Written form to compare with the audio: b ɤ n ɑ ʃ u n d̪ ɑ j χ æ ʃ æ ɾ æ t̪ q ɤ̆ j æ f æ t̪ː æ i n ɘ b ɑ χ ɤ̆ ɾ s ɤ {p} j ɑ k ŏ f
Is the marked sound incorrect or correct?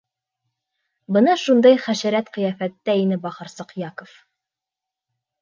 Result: incorrect